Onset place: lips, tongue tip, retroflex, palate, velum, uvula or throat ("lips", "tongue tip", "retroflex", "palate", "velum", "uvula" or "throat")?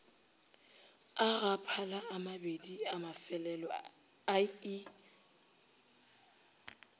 velum